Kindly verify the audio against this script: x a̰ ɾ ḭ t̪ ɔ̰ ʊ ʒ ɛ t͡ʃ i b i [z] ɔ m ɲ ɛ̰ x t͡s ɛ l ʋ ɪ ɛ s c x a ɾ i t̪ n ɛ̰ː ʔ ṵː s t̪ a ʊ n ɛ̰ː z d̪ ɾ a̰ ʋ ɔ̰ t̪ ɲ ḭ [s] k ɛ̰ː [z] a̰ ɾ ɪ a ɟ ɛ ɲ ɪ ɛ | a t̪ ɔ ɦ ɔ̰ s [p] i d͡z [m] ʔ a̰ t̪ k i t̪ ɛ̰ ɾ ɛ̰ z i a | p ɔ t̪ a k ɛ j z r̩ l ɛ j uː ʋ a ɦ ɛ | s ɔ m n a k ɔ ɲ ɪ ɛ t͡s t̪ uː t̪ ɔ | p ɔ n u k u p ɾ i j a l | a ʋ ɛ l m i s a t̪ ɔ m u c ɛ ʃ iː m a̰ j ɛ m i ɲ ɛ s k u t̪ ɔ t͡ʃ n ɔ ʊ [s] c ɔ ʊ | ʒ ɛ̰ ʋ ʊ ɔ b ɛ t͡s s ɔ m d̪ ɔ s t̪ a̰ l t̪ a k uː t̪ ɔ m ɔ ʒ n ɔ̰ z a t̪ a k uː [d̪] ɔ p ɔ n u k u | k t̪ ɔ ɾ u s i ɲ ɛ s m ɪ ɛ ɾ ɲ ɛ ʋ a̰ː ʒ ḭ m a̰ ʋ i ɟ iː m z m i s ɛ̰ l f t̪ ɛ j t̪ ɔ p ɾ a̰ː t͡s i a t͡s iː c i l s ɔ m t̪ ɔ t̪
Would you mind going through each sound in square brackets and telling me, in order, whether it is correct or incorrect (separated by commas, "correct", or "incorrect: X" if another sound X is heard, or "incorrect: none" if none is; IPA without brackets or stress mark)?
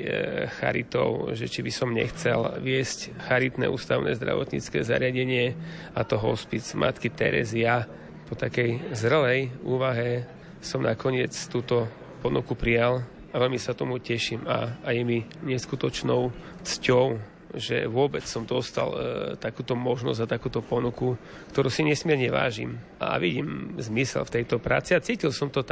incorrect: s, incorrect: t͡s, correct, correct, correct, incorrect: t͡s, incorrect: t̪